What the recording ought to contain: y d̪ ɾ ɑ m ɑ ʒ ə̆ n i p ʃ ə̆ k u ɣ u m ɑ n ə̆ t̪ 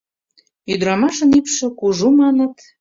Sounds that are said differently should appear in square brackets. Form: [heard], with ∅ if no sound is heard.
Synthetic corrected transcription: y d̪ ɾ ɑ m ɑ [ʃ] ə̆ n i p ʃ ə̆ k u [ʒ] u m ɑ n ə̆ t̪